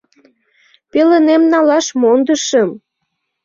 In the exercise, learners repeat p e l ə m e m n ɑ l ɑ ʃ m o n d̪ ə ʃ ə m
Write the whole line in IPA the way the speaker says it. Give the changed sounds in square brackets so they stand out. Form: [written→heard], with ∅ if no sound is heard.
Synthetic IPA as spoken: p e l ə [m→n] e m n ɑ l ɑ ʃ m o n d̪ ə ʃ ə m